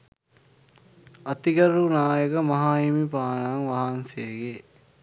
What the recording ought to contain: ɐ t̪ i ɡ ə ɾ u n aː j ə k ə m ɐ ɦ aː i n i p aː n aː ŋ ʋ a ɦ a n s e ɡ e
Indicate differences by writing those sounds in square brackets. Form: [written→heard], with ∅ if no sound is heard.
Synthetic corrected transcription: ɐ t̪ i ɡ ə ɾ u n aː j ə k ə m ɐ ɦ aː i [n→m] i p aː n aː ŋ ʋ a ɦ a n s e ɡ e